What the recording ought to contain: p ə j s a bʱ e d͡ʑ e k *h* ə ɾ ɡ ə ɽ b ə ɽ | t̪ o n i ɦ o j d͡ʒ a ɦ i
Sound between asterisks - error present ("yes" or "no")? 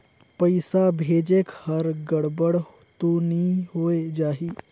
no